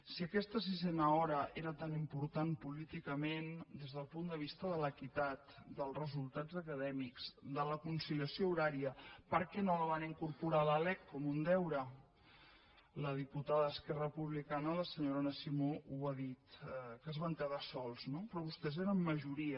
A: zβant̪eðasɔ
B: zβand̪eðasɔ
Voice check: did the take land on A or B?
A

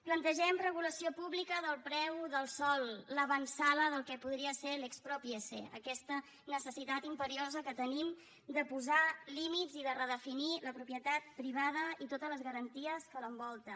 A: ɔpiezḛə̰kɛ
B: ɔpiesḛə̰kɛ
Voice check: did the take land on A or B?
B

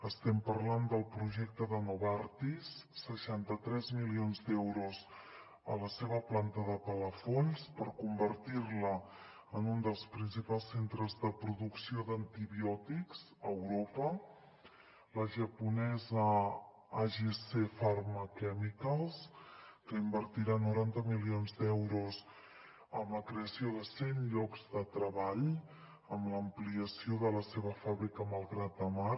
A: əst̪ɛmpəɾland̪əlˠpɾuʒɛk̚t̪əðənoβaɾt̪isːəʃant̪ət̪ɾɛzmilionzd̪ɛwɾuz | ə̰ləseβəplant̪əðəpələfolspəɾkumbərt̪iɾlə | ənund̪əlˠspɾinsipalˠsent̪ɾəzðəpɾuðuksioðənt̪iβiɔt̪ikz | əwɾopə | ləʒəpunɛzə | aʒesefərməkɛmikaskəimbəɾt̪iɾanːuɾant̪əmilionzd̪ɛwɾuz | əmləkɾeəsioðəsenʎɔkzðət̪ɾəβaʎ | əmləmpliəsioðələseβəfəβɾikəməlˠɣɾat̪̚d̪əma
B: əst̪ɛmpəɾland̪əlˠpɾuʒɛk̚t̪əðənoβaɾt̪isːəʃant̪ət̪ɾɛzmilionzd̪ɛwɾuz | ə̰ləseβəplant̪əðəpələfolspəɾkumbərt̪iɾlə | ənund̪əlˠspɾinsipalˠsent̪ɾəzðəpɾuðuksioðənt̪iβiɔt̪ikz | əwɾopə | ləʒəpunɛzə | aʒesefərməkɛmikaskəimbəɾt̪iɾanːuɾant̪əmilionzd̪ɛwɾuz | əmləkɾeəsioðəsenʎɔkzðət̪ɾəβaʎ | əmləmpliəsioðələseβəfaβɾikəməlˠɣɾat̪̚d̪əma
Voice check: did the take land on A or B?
B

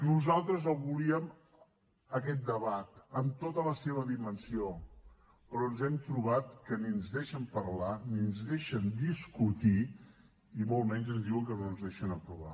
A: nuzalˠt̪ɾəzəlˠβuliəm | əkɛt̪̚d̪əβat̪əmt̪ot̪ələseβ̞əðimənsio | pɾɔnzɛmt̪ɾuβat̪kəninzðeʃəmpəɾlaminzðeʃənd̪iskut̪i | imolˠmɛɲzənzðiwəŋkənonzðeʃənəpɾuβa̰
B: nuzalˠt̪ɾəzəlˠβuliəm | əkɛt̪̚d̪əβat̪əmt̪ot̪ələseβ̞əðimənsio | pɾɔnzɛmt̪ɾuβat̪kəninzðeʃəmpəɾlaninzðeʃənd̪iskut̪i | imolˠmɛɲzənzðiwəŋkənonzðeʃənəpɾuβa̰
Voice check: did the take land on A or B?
B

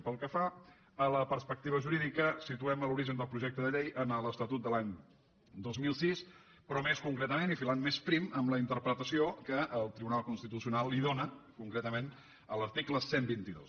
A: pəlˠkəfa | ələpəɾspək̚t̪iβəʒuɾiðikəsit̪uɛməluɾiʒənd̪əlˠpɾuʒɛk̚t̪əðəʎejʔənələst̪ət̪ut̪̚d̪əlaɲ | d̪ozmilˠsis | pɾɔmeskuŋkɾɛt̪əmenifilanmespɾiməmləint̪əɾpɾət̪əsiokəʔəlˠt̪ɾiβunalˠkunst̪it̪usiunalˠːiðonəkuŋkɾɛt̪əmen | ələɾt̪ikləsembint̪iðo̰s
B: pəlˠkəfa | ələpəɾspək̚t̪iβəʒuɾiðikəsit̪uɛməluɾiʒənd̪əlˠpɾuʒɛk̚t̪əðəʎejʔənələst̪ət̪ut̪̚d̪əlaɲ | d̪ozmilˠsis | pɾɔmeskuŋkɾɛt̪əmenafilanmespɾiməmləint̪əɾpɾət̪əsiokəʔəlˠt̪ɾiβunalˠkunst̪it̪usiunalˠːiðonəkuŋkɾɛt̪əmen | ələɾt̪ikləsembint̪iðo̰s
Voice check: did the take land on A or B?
A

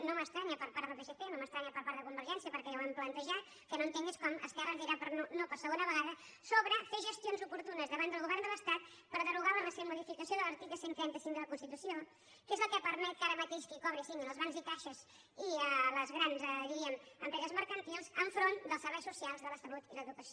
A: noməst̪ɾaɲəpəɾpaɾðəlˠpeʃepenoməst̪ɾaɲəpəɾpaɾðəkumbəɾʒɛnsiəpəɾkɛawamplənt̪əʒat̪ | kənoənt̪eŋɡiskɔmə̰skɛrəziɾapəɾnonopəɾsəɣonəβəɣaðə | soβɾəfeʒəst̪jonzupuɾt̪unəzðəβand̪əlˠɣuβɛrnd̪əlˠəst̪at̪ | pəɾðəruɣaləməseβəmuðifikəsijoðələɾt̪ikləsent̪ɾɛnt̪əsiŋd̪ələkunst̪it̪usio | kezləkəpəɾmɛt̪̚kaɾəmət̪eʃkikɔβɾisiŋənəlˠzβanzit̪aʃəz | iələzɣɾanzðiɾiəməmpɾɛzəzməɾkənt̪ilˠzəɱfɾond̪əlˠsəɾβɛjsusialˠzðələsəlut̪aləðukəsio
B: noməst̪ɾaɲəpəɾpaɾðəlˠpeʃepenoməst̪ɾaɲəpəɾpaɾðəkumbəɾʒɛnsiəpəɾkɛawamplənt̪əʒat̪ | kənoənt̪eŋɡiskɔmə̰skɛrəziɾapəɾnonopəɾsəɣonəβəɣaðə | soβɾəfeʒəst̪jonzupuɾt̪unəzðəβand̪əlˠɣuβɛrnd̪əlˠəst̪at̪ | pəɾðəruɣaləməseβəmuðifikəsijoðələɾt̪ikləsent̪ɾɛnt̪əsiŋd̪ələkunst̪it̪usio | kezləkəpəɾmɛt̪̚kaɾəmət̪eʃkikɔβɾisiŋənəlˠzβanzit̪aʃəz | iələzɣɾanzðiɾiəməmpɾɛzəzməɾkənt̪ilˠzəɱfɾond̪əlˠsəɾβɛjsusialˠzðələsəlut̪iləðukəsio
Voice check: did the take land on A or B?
B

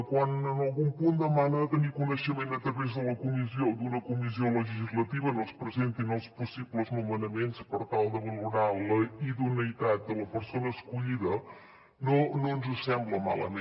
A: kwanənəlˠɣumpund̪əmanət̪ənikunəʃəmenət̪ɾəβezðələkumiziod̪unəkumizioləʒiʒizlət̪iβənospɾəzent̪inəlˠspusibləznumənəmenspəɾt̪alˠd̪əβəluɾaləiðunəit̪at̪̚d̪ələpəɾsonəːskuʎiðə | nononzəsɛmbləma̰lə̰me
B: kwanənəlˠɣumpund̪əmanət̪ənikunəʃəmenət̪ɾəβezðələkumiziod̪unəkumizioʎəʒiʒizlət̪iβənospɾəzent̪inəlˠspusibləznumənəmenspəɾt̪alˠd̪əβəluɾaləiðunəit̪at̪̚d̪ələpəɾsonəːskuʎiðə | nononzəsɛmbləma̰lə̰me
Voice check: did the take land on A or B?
A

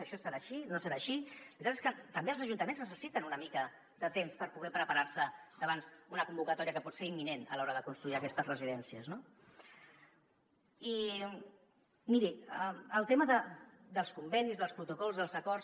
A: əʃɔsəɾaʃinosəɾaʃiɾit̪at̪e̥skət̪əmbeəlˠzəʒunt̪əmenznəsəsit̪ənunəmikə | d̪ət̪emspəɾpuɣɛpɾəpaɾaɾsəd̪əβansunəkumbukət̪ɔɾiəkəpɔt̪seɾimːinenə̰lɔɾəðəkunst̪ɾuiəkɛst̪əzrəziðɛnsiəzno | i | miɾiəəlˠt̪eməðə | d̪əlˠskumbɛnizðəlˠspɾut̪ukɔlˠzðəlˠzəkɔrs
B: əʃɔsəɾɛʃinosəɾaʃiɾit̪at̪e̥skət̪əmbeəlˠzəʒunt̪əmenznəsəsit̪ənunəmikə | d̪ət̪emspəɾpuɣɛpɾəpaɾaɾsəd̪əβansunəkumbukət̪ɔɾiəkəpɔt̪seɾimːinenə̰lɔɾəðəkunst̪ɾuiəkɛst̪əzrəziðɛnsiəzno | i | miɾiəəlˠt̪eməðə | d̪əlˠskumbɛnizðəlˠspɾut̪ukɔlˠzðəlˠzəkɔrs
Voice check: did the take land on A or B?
A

